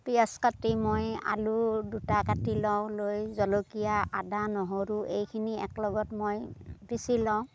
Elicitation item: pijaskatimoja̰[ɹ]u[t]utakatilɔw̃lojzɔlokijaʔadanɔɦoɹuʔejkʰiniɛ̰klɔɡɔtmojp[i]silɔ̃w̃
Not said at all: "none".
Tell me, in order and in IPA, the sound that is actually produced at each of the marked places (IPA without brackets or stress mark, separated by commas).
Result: l, d, i